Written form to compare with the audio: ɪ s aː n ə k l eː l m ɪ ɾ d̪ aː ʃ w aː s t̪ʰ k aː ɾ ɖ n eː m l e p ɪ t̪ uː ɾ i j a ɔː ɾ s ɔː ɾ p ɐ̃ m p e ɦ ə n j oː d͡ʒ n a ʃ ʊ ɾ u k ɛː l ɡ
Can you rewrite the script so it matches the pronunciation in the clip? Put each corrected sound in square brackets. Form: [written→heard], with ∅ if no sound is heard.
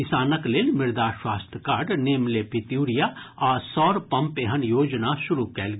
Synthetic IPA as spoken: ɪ s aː n ə k l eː l m ɪ ɾ d̪ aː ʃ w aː s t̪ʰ k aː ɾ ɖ n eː m l e p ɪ t̪ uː ɾ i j a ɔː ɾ s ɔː ɾ p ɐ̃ m p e ɦ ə n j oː d͡ʒ n a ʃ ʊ ɾ u k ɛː l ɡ